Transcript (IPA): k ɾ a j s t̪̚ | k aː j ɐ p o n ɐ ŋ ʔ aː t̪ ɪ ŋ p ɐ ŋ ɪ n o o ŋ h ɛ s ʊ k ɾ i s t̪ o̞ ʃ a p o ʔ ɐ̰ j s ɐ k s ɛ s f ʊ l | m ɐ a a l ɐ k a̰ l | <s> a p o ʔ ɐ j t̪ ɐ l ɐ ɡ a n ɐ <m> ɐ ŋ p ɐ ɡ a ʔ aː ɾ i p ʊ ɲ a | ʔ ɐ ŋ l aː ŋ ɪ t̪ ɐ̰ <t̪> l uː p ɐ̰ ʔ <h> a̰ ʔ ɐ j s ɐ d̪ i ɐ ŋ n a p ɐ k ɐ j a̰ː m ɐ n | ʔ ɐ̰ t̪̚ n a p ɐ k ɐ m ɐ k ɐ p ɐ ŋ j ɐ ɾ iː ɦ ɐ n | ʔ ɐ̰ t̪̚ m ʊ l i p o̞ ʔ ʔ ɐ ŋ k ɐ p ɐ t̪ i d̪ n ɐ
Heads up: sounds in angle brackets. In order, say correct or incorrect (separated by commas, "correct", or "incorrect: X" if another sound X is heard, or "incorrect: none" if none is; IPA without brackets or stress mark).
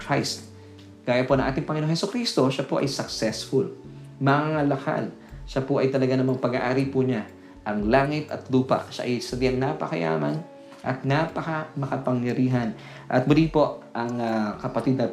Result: incorrect: ʃ, correct, correct, incorrect: ʃ